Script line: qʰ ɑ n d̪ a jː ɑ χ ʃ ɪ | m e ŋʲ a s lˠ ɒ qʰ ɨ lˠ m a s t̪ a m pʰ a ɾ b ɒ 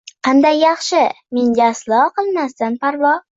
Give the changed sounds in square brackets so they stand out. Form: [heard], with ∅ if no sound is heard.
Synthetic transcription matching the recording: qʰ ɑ n d̪ a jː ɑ χ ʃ ɪ | m e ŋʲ a s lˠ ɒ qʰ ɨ lˠ m a s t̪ a [n] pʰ a ɾ [v] ɒ